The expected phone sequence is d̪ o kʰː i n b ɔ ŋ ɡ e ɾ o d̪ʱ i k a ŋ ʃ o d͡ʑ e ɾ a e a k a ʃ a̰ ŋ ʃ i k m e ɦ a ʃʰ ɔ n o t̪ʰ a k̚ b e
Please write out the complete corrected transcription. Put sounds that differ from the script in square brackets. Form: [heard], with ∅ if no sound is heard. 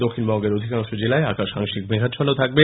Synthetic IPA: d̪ o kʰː i n b ɔ ŋ ɡ e ɾ o d̪ʱ i k a ŋ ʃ o d͡ʑ e [l] a e a k a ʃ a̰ ŋ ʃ i k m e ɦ a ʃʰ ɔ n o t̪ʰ a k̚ b e